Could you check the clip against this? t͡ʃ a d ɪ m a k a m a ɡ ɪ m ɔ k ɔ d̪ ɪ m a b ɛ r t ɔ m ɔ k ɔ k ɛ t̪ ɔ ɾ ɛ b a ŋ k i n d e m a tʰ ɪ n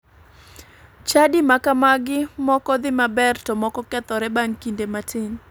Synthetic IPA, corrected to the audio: t͡ʃ a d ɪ m a k a m a ɡ ɪ m ɔ k ɔ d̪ ɪ m a b ɛ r t ɔ m ɔ k ɔ k ɛ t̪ ɔ ɾ ɛ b a ŋ k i n d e m a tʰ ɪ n